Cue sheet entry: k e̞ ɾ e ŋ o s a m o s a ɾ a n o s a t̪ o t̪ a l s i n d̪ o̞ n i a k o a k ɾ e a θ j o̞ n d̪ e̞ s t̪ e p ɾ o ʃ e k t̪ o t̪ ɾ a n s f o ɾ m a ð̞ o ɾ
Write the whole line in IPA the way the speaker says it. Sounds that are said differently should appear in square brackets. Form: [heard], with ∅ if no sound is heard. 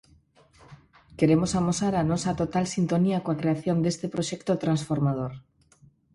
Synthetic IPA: k e̞ ɾ e [m] o s a m o s a ɾ a n o s a t̪ o t̪ a l s i n [t̪] o̞ n i a k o a k ɾ e a θ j o̞ n d̪ e̞ s t̪ e p ɾ o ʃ e k t̪ o t̪ ɾ a n s f o ɾ m a ð̞ o ɾ